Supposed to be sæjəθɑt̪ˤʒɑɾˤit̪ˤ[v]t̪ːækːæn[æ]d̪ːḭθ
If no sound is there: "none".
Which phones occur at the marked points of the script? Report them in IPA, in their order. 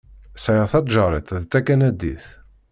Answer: ð, æ

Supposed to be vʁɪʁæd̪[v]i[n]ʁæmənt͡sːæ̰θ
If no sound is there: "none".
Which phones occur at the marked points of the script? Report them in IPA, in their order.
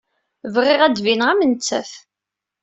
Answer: v, n

